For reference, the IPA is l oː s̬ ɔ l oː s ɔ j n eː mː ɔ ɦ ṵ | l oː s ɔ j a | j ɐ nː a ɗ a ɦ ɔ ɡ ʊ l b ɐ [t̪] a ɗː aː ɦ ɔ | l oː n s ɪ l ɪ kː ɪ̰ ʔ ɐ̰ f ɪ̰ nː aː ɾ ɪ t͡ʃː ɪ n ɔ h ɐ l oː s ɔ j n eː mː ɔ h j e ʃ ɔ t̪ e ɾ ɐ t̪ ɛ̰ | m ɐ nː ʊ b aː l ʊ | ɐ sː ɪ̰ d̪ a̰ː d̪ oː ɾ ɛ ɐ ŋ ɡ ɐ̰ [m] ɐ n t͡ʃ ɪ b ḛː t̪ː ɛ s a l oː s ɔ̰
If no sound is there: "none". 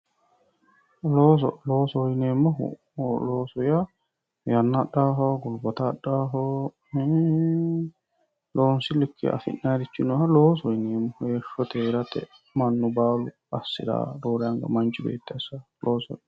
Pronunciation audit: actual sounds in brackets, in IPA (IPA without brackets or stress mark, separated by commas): t̪, m